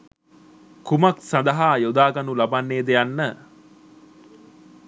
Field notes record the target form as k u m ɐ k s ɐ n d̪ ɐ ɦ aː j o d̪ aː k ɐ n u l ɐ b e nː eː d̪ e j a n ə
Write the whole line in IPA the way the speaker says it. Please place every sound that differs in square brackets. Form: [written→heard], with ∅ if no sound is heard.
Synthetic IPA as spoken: k u m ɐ k s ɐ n d̪ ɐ ɦ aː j o d̪ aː [k→ɡ] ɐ n u l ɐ b [e→a] nː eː d̪ e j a [n→nː] ə